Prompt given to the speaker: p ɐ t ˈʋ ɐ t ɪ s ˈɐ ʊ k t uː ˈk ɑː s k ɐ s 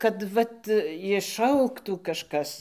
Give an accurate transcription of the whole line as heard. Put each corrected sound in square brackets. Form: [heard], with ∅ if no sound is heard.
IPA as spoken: [k] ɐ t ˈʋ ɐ t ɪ [ʃ] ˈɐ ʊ k t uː ˈk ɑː [ʃ] k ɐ s